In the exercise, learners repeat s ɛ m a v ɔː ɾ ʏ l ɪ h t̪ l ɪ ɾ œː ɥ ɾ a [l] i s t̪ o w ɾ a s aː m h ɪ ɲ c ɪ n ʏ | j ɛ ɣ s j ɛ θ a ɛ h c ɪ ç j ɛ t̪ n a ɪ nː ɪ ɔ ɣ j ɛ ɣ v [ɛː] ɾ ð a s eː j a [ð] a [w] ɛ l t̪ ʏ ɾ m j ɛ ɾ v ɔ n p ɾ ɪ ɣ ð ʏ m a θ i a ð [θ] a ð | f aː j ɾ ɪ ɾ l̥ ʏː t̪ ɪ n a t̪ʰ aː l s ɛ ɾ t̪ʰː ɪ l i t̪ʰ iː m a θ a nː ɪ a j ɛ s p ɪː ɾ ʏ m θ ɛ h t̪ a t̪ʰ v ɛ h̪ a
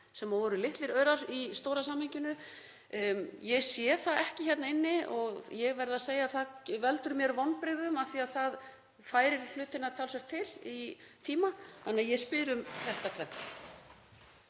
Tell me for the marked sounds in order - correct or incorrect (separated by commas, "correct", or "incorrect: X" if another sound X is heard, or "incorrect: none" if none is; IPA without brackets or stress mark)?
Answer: incorrect: ɾ, incorrect: ɛ, incorrect: θ, incorrect: v, correct